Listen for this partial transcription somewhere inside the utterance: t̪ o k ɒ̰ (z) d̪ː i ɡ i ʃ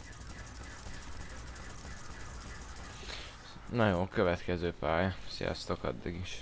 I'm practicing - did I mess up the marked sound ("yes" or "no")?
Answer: yes